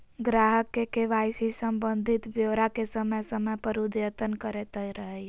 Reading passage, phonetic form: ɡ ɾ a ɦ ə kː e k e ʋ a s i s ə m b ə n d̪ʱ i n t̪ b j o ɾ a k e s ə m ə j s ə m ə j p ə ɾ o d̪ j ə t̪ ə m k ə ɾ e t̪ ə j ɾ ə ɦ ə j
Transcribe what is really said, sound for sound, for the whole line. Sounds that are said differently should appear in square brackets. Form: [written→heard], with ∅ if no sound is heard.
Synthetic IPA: ɡ ɾ a ɦ ə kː e k e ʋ a s i s ə m b ə n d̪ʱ i [n→∅] t̪ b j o ɾ a k e s ə m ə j s ə m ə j p ə ɾ [o→u] d̪ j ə t̪ ə [m→n] k ə ɾ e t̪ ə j ɾ ə ɦ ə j